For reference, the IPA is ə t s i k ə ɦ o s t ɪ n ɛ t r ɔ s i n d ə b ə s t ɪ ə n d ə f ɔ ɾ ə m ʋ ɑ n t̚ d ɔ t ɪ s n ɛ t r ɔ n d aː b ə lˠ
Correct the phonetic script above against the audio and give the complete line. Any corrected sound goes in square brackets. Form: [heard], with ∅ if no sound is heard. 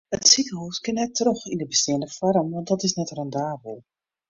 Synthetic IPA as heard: ə t s i k ə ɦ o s [k] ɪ n ɛ t r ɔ [x] i n d ə b ə s t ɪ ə n d ə f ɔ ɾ ə m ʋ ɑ n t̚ d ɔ t ɪ s n ɛ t r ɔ n d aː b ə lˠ